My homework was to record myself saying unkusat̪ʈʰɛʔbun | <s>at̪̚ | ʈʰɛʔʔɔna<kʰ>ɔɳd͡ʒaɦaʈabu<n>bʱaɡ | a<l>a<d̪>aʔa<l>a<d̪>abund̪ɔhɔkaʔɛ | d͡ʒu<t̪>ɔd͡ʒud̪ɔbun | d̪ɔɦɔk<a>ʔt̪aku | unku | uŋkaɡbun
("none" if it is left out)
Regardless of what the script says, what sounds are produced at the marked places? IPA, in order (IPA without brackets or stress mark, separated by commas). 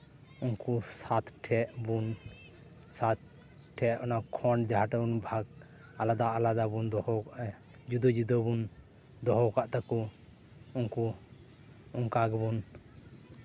s, kʰ, n, l, d̪, l, d̪, d̪, a